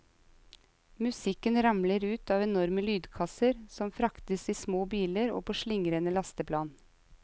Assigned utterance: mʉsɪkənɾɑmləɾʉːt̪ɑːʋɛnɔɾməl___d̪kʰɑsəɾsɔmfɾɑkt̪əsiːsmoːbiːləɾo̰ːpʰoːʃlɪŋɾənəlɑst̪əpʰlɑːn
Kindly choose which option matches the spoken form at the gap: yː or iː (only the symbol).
yː